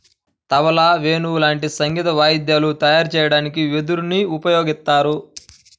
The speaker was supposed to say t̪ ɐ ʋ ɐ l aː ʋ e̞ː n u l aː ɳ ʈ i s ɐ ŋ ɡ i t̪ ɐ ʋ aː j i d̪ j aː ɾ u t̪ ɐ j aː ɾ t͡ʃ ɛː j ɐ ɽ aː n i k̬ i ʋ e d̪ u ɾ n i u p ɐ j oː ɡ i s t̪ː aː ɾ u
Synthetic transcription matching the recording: t̪ ɐ ʋ ɐ l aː ʋ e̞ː n u l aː ɳ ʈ i s ɐ ŋ ɡ i t̪ ɐ ʋ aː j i d̪ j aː l u t̪ ɐ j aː ɾ t͡ʃ ɛː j ɐ ɽ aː n i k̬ i ʋ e d̪ u ɾ n i u p ɐ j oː ɡ i s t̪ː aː ɾ u